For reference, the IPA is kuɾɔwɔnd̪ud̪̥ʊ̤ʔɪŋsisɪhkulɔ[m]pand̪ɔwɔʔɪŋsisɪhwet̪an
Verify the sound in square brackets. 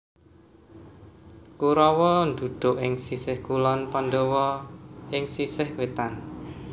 incorrect: n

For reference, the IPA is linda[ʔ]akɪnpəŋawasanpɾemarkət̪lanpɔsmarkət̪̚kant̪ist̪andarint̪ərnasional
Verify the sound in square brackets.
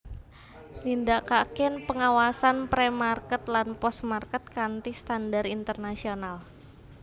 incorrect: k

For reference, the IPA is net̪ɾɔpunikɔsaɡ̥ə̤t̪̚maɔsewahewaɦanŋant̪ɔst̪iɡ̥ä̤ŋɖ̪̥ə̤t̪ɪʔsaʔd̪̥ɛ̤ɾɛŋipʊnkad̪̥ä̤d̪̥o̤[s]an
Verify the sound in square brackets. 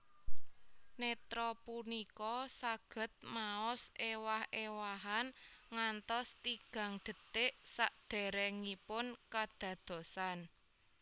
correct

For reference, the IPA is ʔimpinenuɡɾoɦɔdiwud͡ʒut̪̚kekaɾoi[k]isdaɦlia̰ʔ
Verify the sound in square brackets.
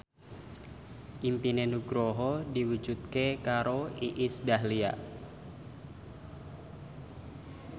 incorrect: ʔ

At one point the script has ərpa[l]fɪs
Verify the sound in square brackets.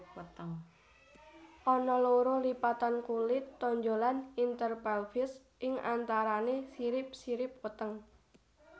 correct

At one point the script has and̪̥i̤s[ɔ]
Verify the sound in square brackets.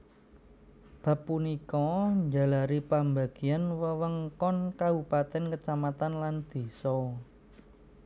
correct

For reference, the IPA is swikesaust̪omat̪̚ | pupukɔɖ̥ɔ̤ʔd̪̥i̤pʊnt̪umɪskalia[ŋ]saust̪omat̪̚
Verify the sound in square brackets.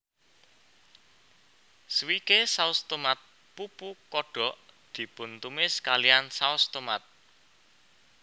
incorrect: n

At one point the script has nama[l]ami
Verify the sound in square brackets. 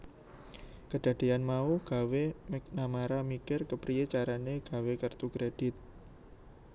incorrect: ɾ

